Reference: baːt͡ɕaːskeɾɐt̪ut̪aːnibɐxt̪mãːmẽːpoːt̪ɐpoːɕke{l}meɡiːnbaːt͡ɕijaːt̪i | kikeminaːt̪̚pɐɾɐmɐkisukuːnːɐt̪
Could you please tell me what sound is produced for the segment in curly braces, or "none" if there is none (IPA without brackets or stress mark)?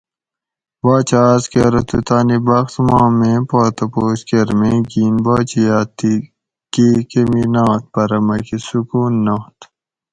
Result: ɾ